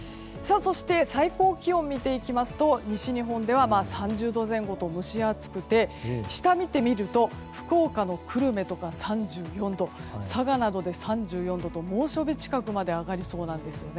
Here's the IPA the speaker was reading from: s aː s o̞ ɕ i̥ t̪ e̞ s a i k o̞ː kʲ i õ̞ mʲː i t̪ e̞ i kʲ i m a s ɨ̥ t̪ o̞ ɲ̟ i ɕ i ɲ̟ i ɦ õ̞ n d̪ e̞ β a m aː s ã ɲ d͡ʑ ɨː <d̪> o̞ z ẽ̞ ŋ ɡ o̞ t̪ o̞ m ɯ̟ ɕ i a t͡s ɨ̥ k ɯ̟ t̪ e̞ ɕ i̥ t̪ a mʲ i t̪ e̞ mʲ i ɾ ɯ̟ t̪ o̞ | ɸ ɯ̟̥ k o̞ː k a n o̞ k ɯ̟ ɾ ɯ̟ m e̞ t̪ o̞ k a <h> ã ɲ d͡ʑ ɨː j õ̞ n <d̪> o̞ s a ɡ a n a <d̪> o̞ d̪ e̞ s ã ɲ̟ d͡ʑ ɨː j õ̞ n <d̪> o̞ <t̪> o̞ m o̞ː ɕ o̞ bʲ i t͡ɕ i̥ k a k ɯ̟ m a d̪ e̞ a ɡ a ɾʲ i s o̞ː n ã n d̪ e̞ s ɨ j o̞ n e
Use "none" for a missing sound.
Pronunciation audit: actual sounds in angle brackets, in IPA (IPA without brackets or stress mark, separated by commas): d̪, s, d̪, d̪, d̪, t̪